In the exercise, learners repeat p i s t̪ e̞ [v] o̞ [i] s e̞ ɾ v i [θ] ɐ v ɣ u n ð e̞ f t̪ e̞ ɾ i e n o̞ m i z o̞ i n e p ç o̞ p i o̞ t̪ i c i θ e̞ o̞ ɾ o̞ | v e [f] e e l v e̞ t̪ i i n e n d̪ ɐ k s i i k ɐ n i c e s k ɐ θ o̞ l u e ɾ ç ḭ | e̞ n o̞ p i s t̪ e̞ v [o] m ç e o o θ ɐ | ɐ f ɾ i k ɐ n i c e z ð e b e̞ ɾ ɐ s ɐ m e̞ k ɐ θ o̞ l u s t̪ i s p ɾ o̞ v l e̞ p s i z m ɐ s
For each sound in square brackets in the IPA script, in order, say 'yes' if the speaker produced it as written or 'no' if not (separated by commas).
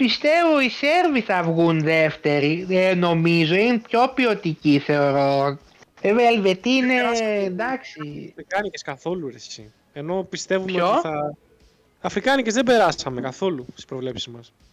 yes, yes, yes, no, no